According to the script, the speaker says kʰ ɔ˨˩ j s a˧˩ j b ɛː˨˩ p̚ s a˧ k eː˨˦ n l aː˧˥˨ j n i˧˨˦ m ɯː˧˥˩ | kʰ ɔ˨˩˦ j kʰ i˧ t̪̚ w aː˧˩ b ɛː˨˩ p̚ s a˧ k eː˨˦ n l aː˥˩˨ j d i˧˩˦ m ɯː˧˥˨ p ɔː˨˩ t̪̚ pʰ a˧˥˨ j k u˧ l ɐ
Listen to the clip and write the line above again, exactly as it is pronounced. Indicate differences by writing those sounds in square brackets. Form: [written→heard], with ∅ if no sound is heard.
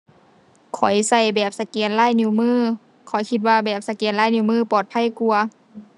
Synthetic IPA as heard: kʰ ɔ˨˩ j s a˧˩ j b ɛː˨˩ p̚ s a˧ k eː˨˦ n l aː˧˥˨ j n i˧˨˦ m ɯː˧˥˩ | kʰ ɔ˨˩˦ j kʰ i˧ t̪̚ w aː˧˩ b ɛː˨˩ p̚ s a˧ k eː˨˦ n l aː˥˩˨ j [d→n] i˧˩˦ m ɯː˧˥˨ p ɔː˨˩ t̪̚ pʰ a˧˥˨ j k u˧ [l→∅] ɐ

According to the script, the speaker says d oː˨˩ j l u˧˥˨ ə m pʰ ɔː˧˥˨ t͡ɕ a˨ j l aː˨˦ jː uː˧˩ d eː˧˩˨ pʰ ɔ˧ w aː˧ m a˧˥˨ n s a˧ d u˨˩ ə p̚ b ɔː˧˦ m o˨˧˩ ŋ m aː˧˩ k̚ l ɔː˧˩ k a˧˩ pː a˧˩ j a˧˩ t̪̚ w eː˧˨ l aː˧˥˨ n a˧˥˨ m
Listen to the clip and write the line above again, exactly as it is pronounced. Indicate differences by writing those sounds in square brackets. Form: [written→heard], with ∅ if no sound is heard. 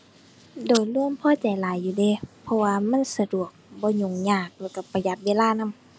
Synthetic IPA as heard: d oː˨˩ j l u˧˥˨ ə m pʰ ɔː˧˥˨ t͡ɕ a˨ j l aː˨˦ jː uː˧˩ d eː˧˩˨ pʰ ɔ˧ w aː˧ m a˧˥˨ n s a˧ d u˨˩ ə [p̚→k̚] b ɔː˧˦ [m→ɲ] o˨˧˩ ŋ [m→ɲ] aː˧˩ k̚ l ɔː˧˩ k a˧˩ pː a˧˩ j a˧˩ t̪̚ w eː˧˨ l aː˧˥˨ n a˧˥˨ m

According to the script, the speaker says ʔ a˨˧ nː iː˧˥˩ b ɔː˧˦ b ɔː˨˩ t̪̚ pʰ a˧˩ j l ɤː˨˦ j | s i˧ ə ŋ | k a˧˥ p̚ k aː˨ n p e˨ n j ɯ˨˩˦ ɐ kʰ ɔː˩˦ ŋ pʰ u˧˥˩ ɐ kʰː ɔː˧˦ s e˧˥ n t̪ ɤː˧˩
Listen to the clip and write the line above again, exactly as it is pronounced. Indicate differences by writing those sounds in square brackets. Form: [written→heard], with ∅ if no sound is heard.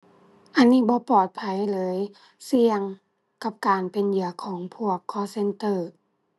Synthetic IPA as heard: ʔ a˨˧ nː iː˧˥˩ b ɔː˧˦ [b→p] ɔː˨˩ t̪̚ pʰ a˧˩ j l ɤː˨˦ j | s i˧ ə ŋ | k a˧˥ p̚ k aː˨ n p e˨ n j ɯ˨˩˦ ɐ kʰ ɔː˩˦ ŋ pʰ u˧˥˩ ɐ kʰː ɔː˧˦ s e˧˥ n t̪ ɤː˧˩

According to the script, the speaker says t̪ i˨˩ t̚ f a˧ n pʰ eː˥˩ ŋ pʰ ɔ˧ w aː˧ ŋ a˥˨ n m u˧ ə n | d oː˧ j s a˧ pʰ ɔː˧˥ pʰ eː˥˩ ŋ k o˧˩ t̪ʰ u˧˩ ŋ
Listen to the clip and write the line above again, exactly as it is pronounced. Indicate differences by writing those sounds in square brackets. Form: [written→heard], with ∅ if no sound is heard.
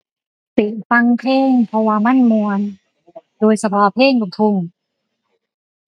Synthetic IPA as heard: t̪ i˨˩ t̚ f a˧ [n→ŋ] pʰ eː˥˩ ŋ pʰ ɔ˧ w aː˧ [ŋ→m] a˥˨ n m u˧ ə n | d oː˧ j s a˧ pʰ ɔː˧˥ pʰ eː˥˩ ŋ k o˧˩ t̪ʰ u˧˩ ŋ

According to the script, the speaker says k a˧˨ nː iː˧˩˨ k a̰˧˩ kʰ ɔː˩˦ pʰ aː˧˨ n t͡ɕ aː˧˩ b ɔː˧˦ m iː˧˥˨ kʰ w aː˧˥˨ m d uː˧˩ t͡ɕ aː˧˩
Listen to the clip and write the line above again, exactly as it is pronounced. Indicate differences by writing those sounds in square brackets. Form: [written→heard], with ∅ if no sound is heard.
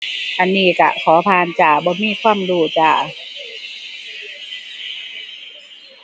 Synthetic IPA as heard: [k→ʔ] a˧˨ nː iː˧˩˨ k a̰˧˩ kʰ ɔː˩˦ pʰ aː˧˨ n t͡ɕ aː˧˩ b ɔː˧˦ m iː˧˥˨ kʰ w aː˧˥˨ m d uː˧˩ t͡ɕ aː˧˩

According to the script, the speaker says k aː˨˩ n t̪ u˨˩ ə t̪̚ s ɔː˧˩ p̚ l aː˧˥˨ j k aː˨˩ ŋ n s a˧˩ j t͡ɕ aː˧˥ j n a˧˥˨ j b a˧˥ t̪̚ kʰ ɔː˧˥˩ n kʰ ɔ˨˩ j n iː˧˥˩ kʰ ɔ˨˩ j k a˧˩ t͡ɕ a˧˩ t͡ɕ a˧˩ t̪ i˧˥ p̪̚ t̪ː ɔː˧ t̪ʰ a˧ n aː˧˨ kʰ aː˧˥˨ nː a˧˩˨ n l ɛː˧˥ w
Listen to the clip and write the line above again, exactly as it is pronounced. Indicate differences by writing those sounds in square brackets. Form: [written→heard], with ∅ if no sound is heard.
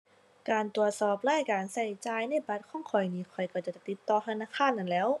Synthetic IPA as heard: k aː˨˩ n t̪ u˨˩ ə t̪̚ s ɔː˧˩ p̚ l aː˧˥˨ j k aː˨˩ [ŋ→∅] n s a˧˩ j t͡ɕ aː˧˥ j n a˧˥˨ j b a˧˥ t̪̚ kʰ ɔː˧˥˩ [n→ŋ] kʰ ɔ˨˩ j n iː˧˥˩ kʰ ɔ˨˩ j k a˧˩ t͡ɕ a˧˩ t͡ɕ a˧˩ t̪ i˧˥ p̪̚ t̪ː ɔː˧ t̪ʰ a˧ n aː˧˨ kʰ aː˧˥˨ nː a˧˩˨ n l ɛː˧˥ w

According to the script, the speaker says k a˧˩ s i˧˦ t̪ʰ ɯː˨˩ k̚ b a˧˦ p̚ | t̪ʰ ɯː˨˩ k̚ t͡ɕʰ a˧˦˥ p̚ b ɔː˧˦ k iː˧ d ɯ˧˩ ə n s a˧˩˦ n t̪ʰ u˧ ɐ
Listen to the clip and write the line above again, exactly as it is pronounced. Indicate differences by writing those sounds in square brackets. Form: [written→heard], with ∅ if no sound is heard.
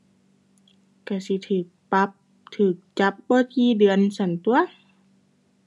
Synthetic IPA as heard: k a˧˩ s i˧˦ t̪ʰ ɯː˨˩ k̚ [b→p] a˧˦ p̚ | t̪ʰ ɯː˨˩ k̚ [t͡ɕʰ→t͡ɕ] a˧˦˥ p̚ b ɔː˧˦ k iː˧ d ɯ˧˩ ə n s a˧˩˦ n [t̪ʰ→t̪] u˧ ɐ

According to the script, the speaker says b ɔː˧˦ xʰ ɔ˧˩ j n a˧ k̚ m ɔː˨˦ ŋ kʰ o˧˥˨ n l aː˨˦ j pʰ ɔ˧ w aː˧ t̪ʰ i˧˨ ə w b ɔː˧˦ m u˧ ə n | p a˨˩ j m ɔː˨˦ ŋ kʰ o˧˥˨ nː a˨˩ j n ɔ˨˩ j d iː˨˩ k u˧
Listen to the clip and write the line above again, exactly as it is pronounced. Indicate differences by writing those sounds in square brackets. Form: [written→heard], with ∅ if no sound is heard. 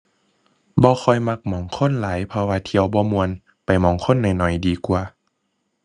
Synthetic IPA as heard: b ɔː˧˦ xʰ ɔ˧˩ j [n→m] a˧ k̚ m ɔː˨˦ ŋ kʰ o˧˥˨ n l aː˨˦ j pʰ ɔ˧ w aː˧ t̪ʰ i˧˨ ə w b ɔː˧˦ m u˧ ə n | p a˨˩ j m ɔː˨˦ ŋ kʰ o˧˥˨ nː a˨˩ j n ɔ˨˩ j d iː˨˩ k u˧

